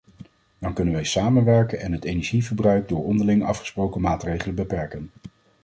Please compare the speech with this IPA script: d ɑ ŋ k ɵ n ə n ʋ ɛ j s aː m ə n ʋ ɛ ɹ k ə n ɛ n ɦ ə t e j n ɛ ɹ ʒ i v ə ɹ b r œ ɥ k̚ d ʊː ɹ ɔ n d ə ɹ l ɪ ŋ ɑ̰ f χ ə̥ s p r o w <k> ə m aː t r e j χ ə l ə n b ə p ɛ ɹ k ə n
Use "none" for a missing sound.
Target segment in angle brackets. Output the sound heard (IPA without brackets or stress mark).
k